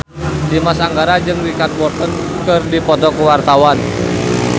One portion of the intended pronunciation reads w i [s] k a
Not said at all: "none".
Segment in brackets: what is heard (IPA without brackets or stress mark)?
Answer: none